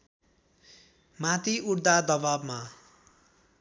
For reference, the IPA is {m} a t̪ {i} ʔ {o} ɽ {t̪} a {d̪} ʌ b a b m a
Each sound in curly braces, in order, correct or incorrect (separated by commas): correct, correct, incorrect, incorrect, correct